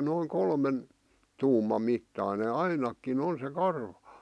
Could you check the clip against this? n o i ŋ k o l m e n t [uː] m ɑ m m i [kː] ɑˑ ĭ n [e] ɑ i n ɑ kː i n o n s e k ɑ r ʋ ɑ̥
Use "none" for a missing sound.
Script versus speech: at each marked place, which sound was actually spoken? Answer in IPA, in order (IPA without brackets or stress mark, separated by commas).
uː, tː, e